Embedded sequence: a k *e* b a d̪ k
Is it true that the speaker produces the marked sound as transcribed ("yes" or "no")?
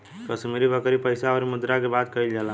yes